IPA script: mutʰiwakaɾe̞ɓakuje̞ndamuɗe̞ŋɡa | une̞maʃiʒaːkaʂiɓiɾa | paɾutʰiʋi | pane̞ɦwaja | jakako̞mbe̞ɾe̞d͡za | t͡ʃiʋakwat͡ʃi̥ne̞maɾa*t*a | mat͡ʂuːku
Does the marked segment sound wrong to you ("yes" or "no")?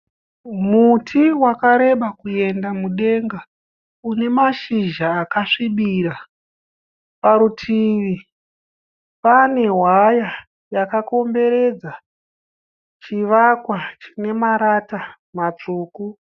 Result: no